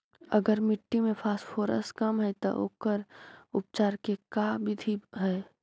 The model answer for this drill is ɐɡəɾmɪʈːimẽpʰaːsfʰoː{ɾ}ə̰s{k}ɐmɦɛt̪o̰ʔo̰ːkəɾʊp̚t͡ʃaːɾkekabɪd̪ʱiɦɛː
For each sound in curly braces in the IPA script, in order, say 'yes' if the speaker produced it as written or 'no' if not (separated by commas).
yes, yes